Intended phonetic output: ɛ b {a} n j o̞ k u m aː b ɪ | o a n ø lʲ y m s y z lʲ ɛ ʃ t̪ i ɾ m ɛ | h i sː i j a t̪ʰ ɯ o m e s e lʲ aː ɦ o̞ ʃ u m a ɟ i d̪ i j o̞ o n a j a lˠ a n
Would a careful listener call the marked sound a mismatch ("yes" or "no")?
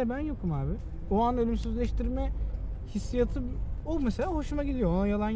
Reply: yes